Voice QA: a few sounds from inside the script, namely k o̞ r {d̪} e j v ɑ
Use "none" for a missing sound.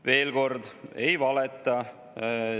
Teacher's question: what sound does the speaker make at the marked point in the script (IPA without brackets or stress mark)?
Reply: d̪